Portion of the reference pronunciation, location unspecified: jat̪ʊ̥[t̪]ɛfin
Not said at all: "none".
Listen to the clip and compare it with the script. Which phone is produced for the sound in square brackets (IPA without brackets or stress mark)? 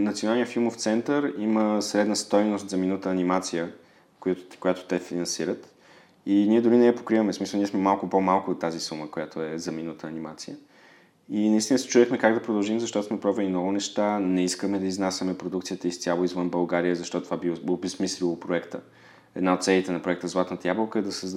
t̪